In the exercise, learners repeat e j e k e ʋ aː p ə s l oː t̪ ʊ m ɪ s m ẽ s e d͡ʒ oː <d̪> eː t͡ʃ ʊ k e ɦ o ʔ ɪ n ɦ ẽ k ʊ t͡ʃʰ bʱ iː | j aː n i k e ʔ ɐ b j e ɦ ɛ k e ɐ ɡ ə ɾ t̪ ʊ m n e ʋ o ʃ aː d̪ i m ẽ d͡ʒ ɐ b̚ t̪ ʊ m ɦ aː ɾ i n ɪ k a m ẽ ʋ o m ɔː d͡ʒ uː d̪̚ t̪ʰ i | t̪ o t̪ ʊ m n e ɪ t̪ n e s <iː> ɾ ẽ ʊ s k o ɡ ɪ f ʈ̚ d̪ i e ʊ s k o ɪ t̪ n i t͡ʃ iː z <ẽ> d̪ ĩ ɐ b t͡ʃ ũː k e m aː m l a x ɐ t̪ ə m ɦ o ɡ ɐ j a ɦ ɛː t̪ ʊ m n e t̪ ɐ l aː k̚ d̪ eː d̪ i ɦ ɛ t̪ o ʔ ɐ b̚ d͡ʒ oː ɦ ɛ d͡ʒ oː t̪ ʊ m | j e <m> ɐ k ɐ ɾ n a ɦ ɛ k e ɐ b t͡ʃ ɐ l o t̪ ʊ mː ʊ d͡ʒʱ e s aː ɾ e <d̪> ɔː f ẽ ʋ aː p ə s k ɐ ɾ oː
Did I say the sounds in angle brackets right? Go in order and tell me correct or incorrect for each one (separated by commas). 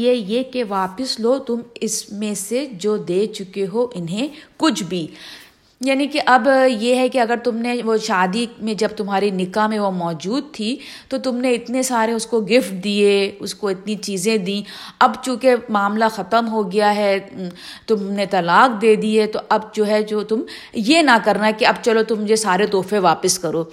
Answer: correct, incorrect, correct, incorrect, incorrect